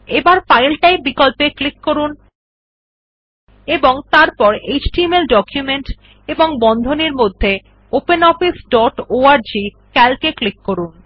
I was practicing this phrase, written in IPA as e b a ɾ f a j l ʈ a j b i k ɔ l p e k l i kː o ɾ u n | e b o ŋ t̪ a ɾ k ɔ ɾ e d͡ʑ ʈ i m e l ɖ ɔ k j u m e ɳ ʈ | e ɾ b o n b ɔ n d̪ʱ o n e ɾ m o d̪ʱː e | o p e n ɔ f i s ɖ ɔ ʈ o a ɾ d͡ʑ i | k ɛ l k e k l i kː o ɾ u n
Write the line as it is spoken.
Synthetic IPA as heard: e b a ɾ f a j l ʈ a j b i k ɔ l p e k l i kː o ɾ u n | e b o ŋ t̪ a ɾ p ɔ ɾ e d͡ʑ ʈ i m e l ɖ ɔ k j u m e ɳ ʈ | e b o ŋ b ɔ n d̪ʱ o n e ɾ m o d̪ʱː e | o p e n ɔ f i s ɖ ɔ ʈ o a ɾ d͡ʑ i | k ɛ l k e k l i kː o ɾ u n